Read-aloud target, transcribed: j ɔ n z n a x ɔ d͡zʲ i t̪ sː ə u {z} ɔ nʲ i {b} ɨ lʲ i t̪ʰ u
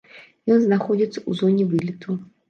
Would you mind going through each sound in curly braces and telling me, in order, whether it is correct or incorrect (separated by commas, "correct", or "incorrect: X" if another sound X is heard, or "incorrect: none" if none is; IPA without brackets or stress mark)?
correct, incorrect: v